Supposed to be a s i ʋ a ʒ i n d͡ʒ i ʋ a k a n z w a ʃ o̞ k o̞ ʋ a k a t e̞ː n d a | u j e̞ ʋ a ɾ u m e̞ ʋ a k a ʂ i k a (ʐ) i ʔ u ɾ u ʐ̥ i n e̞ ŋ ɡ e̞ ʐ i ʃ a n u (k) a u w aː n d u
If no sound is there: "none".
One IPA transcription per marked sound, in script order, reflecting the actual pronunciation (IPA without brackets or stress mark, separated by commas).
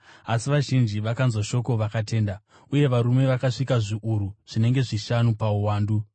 ʐ, p